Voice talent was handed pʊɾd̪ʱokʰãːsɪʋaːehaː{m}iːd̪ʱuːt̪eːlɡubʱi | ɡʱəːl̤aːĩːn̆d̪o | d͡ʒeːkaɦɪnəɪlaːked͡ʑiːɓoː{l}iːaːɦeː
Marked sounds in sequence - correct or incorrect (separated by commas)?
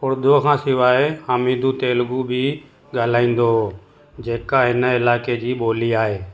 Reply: correct, correct